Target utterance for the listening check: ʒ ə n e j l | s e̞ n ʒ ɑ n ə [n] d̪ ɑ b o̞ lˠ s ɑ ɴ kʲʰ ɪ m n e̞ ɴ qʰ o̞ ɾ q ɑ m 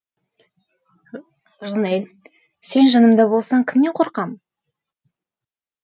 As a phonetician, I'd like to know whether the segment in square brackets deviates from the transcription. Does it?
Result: yes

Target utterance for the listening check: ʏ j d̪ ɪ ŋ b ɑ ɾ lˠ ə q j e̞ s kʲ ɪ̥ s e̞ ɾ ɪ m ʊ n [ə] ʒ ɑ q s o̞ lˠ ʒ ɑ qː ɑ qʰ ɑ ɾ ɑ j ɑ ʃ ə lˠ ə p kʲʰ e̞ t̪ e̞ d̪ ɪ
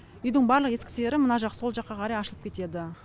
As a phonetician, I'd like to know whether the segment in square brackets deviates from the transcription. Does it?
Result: yes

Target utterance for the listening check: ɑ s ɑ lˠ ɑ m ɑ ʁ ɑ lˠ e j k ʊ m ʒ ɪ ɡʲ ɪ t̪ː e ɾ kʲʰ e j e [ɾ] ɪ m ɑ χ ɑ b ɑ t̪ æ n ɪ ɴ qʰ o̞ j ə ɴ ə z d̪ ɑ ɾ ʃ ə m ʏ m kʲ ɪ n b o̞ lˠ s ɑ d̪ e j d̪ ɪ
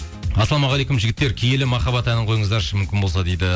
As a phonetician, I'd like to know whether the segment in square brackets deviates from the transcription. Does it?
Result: yes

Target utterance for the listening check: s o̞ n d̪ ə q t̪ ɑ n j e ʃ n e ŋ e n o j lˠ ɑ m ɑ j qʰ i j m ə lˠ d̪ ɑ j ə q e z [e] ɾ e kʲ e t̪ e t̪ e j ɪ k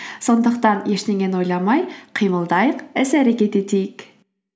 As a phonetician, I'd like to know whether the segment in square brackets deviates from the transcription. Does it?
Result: yes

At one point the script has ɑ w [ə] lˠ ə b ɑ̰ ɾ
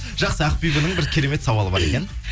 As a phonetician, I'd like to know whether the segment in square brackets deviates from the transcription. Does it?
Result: yes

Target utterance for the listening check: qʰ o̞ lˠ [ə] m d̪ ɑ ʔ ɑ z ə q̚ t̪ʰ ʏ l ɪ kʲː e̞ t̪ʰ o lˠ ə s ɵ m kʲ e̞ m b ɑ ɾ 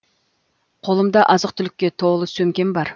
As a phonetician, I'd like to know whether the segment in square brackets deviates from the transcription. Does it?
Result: no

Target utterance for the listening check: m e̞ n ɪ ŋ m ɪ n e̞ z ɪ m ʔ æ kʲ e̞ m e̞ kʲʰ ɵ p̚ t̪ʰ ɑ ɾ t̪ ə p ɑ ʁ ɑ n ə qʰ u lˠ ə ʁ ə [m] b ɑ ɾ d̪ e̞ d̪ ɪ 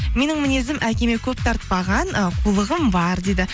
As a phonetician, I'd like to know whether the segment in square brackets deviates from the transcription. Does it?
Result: no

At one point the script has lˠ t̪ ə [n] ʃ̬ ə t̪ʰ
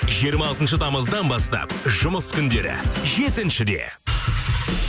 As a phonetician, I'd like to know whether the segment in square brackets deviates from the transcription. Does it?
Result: no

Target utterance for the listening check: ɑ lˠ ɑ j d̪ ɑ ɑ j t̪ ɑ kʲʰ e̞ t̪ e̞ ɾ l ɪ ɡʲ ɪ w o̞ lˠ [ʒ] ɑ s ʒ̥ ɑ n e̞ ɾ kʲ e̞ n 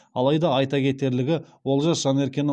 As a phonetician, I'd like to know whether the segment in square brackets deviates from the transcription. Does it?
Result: no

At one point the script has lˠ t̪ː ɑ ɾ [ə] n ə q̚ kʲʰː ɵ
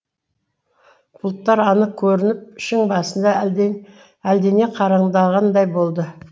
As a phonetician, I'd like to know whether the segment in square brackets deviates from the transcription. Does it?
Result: yes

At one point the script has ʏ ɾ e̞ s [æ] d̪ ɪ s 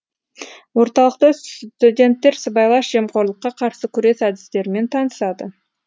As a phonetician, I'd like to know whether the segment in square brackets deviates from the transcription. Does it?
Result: no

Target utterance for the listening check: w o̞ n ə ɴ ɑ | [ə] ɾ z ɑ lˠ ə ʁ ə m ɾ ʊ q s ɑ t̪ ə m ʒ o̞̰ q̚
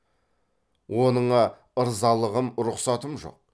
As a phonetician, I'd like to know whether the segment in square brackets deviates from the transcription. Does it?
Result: no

